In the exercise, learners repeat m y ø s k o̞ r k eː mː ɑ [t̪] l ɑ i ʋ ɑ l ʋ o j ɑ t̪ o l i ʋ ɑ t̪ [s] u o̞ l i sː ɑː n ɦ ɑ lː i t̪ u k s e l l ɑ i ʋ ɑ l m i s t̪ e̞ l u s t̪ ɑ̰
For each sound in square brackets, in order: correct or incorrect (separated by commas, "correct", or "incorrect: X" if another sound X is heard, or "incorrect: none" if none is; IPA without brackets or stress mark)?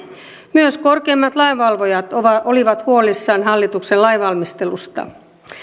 correct, incorrect: h